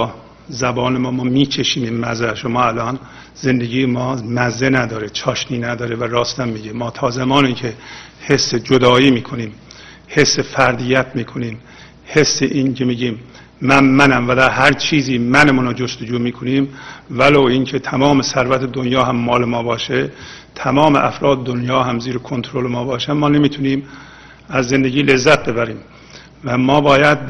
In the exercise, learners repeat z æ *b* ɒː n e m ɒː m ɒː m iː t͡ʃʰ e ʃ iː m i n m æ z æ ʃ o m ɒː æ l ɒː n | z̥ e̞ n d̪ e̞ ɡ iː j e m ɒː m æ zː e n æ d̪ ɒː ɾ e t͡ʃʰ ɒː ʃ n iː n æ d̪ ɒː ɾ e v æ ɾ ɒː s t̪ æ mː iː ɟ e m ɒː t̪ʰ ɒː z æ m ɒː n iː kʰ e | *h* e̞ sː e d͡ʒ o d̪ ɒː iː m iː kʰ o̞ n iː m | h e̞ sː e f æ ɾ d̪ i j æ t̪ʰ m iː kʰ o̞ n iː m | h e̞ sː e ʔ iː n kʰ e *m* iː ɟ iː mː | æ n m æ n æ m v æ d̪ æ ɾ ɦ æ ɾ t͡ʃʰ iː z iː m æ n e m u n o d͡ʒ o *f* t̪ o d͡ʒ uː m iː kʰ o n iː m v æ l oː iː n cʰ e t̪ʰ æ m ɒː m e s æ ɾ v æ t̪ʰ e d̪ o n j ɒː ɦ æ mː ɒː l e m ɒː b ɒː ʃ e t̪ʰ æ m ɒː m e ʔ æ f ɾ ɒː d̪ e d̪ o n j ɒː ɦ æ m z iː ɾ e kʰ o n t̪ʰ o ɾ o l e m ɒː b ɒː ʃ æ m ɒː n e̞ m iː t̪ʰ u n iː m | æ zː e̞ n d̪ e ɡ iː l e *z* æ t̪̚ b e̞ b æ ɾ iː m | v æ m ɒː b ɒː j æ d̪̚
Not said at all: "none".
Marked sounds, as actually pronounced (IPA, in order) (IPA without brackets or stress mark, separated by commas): b, h, m, s, zː